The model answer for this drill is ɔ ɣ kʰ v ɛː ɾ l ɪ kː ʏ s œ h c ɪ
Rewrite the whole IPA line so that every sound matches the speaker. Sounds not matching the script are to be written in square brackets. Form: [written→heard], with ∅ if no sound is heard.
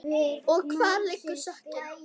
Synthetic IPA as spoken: ɔ ɣ kʰ v [ɛː→aː] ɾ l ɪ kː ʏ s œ h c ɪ